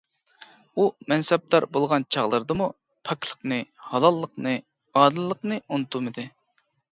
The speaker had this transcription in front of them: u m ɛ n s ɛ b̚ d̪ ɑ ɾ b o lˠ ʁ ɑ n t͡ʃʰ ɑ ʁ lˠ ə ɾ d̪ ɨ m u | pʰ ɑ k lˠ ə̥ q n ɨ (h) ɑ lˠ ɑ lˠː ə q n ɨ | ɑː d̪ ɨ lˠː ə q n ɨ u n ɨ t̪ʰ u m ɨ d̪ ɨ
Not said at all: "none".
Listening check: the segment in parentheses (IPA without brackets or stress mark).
h